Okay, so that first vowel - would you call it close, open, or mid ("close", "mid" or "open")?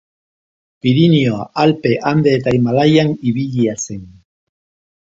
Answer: close